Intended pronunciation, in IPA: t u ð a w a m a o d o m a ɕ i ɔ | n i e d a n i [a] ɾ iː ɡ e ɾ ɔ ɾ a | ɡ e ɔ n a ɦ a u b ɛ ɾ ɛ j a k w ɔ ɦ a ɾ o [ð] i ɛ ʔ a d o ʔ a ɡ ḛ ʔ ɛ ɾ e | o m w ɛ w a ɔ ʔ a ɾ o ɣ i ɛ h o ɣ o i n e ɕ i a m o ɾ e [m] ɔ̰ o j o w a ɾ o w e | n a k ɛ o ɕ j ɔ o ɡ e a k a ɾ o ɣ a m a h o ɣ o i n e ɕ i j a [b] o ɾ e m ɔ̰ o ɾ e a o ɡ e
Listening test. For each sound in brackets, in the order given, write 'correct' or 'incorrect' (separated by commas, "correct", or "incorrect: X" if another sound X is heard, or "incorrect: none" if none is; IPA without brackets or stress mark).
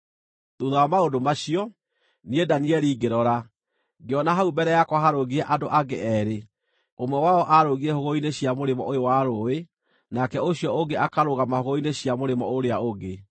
incorrect: ɛ, incorrect: ɣ, correct, incorrect: m